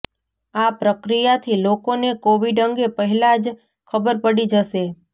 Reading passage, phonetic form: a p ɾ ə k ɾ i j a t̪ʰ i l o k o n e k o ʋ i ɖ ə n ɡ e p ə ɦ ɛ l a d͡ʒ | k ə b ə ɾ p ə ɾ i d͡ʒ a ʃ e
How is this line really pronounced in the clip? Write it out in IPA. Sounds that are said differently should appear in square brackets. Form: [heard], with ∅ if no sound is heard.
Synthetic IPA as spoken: a p ɾ ə k ɾ i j a t̪ʰ i l o k o n e k o ʋ i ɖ ə [ŋ] ɡ e p ə ɦ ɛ l a d͡ʒ | [kʰ] ə b ə ɾ p ə [ɽ] i d͡ʒ [ə] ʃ e